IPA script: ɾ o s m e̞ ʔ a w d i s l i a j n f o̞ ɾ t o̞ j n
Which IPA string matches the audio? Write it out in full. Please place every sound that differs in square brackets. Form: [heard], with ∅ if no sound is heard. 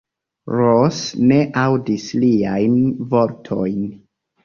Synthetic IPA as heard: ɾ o s [n] e̞ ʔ a w d i s l i a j n [v] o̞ ɾ [tʰ] o̞ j n